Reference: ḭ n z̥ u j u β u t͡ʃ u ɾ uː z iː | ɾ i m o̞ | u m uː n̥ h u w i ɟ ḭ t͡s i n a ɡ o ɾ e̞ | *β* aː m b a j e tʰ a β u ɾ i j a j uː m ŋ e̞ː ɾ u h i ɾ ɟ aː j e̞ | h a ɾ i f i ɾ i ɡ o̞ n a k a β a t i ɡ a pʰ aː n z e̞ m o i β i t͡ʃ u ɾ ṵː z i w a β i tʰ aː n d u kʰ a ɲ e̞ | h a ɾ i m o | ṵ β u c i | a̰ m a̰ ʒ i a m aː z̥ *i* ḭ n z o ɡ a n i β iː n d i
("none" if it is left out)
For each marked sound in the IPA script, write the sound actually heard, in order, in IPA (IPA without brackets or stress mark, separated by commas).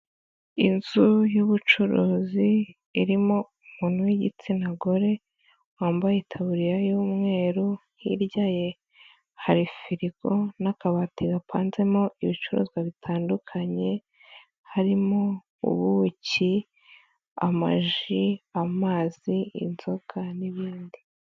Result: w, i